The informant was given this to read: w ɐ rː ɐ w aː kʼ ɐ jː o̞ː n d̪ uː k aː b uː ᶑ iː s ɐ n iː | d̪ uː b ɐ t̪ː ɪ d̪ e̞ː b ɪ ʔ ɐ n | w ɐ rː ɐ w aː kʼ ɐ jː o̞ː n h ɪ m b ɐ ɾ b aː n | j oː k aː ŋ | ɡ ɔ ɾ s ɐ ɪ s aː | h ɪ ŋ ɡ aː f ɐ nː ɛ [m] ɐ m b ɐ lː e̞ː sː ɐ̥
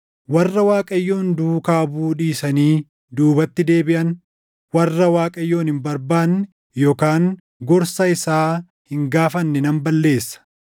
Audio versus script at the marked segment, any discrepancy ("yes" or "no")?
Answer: yes